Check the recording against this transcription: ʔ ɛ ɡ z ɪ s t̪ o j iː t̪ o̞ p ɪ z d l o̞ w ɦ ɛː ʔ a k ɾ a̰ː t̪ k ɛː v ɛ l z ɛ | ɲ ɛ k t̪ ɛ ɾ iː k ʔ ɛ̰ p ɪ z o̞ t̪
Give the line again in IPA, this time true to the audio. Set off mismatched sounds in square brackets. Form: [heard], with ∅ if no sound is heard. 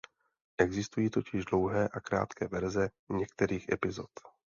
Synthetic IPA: ʔ ɛ ɡ z ɪ s t̪ [u] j iː t̪ o̞ [c] ɪ [ʒ] d l o̞ w ɦ ɛː ʔ a k ɾ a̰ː t̪ k ɛː v ɛ [ɾ] z ɛ | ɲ ɛ k t̪ ɛ ɾ iː [x] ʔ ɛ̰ p ɪ z o̞ t̪